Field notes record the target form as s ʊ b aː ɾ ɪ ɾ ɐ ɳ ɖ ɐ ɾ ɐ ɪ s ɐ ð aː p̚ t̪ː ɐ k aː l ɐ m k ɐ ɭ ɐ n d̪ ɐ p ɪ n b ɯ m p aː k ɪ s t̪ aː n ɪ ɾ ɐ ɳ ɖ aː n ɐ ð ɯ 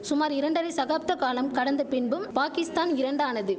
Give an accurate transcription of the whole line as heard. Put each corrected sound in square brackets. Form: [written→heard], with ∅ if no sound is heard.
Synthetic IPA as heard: s ʊ [b→m] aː ɾ ɪ ɾ ɐ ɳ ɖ ɐ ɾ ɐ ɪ s ɐ [ð→ɣ] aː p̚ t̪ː ɐ k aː l ɐ m k ɐ [ɭ→ɽ] ɐ n d̪ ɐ p ɪ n b ɯ m p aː k ɪ s t̪ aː n ɪ ɾ ɐ ɳ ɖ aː n ɐ ð ɯ